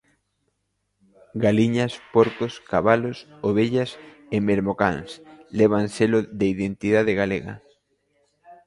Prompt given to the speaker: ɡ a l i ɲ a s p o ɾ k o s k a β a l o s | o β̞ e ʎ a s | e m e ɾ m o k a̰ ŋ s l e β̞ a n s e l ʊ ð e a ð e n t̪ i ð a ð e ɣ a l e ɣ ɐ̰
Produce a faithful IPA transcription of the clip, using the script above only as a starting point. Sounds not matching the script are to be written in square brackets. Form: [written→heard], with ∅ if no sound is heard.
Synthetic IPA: ɡ a l i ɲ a s p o ɾ k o s k a β a l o s | o β̞ e ʎ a s | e m e ɾ m o k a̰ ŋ s l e β̞ a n s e l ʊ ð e [a→i] ð e n t̪ i ð a ð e ɣ a l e ɣ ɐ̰

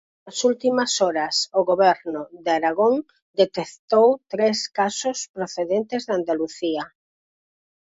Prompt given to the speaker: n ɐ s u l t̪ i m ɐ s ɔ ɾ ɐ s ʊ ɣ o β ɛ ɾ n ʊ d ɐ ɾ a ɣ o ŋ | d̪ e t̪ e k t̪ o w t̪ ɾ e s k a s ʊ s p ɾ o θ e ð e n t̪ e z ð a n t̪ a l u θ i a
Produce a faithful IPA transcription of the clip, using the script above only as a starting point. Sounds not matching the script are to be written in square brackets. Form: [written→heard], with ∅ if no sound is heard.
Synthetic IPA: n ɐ s u l t̪ i m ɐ s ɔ ɾ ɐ s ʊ ɣ o β ɛ ɾ n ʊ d [ɐ→a] ɾ a ɣ o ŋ | d̪ e t̪ e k t̪ o w t̪ ɾ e s k a s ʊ s p ɾ o θ e ð e n t̪ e z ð a n [t̪→d̪] a l u θ i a

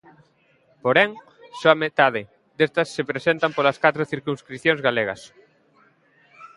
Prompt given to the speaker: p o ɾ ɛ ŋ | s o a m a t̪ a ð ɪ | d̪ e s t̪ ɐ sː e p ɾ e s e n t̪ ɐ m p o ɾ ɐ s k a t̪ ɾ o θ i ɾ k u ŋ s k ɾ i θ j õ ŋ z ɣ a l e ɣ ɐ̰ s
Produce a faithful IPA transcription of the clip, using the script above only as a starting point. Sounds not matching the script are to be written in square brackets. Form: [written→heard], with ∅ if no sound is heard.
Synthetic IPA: p o ɾ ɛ ŋ | s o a m [a→e] t̪ a ð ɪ | d̪ e s t̪ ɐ sː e p ɾ e s e n t̪ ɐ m p o [ɾ→l] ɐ s k a t̪ ɾ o θ i ɾ k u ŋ s k ɾ i θ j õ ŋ z ɣ a l e ɣ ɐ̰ s

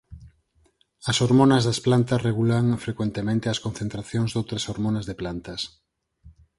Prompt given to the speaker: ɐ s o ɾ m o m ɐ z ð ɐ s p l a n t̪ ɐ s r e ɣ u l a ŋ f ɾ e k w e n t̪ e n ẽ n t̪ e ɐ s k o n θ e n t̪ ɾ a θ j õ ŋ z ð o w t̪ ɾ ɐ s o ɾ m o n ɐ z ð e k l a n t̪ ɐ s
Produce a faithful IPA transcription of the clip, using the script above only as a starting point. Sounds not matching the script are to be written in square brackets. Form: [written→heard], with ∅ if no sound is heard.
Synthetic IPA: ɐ s o ɾ m o [m→n] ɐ z ð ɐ s p l a n t̪ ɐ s r e ɣ u l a ŋ f ɾ e k w e n t̪ e [n→m] ẽ n t̪ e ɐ s k o n θ e n t̪ ɾ a θ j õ ŋ z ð o w t̪ ɾ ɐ s o ɾ m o n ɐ z ð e [k→p] l a n t̪ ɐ s

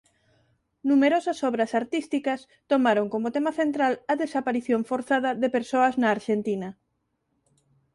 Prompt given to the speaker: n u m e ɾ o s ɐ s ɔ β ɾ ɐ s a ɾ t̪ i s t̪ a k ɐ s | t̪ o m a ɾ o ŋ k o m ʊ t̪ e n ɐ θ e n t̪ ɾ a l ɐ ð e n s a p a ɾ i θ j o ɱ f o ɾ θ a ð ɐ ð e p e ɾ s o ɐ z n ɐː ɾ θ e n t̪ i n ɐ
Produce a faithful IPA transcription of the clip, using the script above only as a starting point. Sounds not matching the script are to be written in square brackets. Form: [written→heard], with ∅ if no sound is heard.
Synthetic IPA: n u m e ɾ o s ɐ s ɔ β ɾ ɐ s a ɾ t̪ i s t̪ [a→i] k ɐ s | t̪ o m a ɾ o ŋ k o m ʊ t̪ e [n→m] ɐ θ e n t̪ ɾ a l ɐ ð e [n→∅] s a p a ɾ i θ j o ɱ f o ɾ θ a ð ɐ ð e p e ɾ s o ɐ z n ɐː ɾ [θ→ʃ] e n t̪ i n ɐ

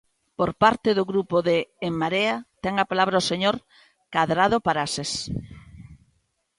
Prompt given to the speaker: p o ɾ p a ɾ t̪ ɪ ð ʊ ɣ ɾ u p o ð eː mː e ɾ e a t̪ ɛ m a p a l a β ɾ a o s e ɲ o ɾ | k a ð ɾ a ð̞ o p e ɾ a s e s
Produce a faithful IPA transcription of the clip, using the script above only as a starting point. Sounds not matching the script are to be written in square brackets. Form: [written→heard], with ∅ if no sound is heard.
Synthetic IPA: p o ɾ p a ɾ t̪ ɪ ð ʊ ɣ ɾ u p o ð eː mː [e→a] ɾ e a t̪ ɛ [m→ŋ] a p a l a β ɾ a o s e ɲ o ɾ | k a ð ɾ a ð̞ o p [e→a] ɾ a s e s

